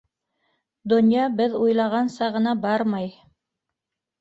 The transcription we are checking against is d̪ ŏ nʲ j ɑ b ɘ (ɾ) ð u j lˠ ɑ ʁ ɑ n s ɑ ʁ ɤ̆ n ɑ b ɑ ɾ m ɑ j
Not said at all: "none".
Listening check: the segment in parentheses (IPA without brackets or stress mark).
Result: none